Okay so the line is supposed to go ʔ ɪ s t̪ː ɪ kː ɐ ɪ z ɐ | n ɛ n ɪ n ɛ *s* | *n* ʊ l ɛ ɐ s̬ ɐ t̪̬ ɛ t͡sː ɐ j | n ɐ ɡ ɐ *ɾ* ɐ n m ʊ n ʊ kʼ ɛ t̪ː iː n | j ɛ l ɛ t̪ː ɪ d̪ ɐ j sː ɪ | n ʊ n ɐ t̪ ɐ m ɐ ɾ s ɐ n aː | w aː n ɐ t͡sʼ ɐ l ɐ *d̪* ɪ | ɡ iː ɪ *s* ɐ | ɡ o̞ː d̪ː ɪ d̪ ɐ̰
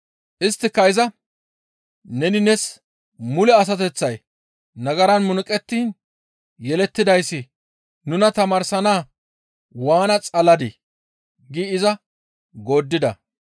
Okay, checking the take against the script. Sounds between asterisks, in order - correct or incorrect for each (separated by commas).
correct, incorrect, correct, correct, incorrect